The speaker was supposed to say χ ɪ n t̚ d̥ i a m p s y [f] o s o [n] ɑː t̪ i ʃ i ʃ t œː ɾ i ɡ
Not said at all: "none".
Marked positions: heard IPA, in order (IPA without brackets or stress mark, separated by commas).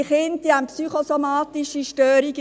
χ, m